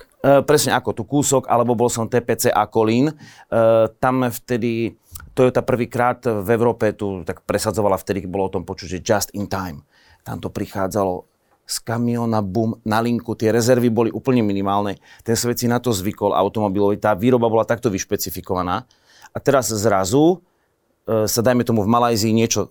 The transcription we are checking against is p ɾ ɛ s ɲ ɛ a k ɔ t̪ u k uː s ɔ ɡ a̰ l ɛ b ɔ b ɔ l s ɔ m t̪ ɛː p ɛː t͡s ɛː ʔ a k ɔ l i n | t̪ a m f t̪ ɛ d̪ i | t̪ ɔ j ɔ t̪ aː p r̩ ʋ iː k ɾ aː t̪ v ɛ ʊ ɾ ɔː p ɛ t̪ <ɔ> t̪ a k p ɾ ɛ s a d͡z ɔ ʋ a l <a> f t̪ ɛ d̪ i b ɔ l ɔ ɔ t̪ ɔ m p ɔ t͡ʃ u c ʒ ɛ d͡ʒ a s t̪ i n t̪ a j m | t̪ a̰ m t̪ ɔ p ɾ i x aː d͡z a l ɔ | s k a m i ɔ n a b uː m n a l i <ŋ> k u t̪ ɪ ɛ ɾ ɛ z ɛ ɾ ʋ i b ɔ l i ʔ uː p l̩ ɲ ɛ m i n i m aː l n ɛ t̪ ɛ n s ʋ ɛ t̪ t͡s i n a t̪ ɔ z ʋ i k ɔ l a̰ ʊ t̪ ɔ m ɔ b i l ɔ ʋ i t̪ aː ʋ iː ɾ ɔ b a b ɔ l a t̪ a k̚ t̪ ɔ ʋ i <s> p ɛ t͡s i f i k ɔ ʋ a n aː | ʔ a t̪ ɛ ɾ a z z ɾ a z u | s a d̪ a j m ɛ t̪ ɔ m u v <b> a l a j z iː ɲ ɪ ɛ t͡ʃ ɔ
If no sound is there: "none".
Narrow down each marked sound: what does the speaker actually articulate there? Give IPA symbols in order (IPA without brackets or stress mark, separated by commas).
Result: u, a, ŋ, ʃ, m